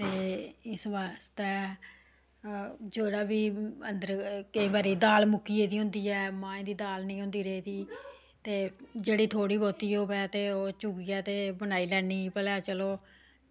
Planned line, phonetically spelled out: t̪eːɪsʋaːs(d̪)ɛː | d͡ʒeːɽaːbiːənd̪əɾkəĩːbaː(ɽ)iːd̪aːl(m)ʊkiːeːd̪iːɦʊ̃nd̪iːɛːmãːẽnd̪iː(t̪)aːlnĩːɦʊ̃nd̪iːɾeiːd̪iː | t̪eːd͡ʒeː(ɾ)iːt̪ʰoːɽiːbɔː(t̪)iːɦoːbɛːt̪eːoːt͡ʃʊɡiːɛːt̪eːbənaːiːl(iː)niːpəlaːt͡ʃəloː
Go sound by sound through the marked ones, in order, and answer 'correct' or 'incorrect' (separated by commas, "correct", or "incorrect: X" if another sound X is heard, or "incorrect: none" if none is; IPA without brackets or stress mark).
incorrect: t̪, incorrect: ɾ, correct, incorrect: d̪, incorrect: ɽ, correct, incorrect: ɛː